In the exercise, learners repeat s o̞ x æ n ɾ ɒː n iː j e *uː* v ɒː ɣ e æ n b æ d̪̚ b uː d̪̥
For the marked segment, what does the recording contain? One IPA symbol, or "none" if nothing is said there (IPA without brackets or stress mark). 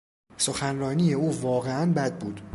uː